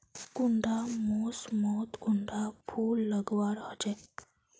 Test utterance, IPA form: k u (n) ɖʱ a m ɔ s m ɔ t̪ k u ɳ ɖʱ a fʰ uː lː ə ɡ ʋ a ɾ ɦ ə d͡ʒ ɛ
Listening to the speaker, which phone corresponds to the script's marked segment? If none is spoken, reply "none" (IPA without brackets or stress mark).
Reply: ɳ